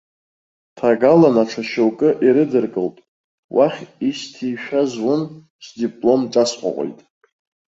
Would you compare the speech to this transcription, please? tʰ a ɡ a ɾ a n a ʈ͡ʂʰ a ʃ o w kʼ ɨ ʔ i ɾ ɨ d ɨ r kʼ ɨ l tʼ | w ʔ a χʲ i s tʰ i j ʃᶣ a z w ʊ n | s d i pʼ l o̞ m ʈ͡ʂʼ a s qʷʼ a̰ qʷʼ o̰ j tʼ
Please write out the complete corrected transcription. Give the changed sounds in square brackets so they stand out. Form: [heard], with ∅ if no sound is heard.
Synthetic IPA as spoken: tʰ a ɡ a [l] a n a ʈ͡ʂʰ a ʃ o w kʼ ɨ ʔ i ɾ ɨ d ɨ r kʼ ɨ l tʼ | w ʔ a χʲ i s tʰ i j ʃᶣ a z w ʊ n | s d i pʼ l o̞ m ʈ͡ʂʼ a s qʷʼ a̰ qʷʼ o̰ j tʼ